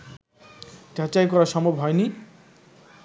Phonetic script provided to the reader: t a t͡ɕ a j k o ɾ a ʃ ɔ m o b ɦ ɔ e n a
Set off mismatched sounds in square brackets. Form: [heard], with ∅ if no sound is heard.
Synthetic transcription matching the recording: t a t͡ɕ a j k [ɔ] ɾ a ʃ ɔ m o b ɦ ɔ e n [i]